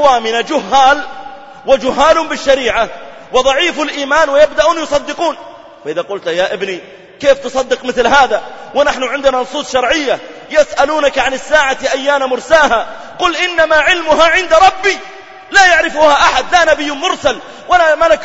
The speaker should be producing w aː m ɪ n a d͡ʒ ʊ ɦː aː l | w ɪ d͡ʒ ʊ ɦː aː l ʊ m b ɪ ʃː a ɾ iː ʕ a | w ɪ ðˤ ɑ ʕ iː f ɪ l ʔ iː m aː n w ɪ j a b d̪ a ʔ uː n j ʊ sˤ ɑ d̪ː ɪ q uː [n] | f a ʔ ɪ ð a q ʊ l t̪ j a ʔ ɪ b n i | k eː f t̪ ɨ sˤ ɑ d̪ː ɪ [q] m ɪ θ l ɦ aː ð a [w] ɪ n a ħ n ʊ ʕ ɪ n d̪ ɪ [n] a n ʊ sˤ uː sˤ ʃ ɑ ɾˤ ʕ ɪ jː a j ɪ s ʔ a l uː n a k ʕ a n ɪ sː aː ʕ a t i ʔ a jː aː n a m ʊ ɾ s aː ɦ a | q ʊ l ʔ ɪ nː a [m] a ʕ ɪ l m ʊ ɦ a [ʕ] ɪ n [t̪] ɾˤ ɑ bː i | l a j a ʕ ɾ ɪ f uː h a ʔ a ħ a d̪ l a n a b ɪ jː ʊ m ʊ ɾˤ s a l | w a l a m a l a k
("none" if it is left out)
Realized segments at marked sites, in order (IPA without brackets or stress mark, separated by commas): n, q, w, n, m, ʕ, d̪